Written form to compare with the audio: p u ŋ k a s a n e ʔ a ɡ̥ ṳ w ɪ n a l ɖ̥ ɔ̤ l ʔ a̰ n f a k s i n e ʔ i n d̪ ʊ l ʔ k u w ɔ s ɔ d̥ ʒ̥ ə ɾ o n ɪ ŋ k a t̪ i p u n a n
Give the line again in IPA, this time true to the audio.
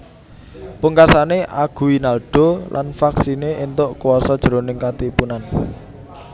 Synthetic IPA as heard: p u ŋ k a s a n e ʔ a ɡ̥ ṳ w i n a l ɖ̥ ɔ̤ l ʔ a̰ n f a k s i n e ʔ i n t̪ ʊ ʔ k u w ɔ s ɔ d̥ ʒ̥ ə ɾ o n ɪ ŋ k a t̪ i p u n a n

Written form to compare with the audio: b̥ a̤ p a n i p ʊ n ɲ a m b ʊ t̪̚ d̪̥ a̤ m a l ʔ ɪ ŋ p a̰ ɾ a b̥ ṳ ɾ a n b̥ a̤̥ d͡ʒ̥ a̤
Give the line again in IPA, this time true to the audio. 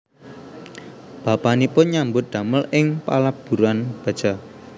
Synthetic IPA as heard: b̥ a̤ p a n i p ʊ n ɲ a m b ʊ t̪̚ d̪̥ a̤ m ə l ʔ ɪ ŋ p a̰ l a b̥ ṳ ɾ a n b̥ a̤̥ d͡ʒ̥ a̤

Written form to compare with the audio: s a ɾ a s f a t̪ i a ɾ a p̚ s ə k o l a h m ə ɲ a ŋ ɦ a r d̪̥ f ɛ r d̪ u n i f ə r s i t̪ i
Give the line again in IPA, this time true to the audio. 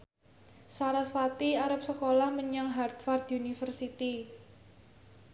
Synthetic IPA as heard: s a ɾ a s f a t̪ i a ɾ a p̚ s ə k o l a h m ə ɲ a ŋ ɦ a r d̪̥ f a r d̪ u n i f ə r s i t̪ i

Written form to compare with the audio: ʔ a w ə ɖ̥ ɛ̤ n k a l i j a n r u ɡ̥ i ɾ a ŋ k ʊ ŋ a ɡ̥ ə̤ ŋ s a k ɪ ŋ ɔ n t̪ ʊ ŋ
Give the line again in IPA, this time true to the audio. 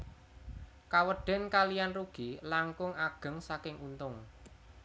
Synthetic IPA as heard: k a w ə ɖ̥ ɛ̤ n k a l i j a n r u ɡ̥ i l a ŋ k ʊ ŋ a ɡ̥ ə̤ ŋ s a k ɪ ŋ u n t̪ ʊ ŋ

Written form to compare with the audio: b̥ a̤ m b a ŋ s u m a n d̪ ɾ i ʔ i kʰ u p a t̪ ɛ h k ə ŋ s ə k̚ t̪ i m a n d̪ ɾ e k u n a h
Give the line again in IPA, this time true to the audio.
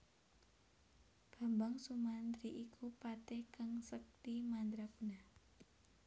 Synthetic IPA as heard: b̥ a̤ m b a ŋ s u m a n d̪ ɾ i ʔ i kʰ u p a t̪ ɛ h k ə ŋ s ə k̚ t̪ i m a n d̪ ɾ a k u n a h

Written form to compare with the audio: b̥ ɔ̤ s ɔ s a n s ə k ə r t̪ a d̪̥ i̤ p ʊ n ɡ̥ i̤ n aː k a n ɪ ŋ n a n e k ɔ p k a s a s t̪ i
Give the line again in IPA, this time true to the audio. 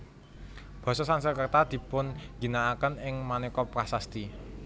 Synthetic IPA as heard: b̥ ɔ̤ s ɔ s a n s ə k ə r t̪ a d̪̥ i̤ p ʊ n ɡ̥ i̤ n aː k ə n ɪ ŋ m a n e k ɔ p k a s a s t̪ i

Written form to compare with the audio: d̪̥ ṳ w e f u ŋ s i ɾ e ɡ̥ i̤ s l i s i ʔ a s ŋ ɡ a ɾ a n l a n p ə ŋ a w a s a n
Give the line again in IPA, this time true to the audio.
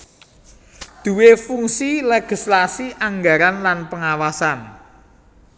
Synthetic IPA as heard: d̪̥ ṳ w e f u ŋ s i l e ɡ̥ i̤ s l a s i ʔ a ŋ ɡ a ɾ a n l a n p ə ŋ a w a s a n

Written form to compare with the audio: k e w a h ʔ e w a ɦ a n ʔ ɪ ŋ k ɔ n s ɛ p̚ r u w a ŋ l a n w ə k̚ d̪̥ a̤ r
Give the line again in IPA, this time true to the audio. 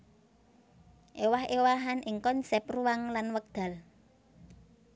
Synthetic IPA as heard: ʔ e w a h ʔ e w a ɦ a n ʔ ɪ ŋ k ɔ n s ɛ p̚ r u w a ŋ l a n w ə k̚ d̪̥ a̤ l

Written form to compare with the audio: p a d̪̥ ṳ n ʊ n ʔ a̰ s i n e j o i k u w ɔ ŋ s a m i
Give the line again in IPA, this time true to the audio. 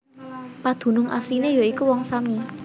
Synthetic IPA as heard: p a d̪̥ ṳ n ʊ ŋ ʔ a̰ s i n e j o i k u w ɔ ŋ s a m i

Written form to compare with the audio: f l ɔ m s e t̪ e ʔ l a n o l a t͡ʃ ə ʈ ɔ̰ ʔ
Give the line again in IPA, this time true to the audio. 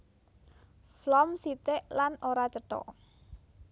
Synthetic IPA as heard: f l ɔ m s i t̪ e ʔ l a n o ɾ a t͡ʃ ə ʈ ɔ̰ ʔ

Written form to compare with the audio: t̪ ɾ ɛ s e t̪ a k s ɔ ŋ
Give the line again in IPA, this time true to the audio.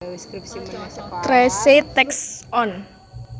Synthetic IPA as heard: t̪ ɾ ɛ s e t̪ ɛ k s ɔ n

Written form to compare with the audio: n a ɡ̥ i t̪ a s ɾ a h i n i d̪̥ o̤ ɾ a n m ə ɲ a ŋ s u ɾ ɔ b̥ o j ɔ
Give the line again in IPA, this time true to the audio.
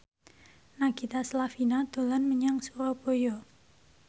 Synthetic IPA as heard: n a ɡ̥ i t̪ a s l a f i n a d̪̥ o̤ l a n m ə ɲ a ŋ s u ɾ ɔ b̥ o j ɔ

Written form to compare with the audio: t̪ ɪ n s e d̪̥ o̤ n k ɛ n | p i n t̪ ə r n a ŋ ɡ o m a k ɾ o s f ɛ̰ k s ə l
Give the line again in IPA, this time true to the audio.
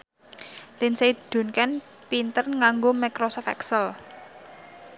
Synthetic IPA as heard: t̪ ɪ n s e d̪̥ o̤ n k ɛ n | p i n t̪ ə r ŋ a ŋ ɡ o m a k ɾ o s f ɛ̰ k s ə l

